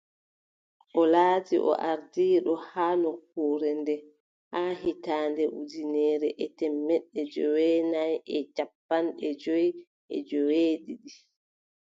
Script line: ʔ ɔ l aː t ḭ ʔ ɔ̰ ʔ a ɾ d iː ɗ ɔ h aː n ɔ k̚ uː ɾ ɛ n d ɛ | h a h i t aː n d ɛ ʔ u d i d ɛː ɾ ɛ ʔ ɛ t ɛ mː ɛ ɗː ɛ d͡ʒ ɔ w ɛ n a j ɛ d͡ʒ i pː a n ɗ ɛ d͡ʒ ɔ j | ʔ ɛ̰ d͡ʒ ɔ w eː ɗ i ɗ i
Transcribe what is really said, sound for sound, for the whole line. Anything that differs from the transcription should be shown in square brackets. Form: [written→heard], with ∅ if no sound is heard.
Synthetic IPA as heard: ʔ ɔ l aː t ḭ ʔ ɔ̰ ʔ a ɾ d iː ɗ ɔ h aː n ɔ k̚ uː ɾ ɛ n d ɛ | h a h i t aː n d ɛ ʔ u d i [d→n] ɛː ɾ ɛ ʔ ɛ t ɛ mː ɛ ɗː ɛ d͡ʒ ɔ w ɛ n a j ɛ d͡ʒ [i→a] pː a n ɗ ɛ d͡ʒ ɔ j | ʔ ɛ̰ d͡ʒ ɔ w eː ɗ i ɗ i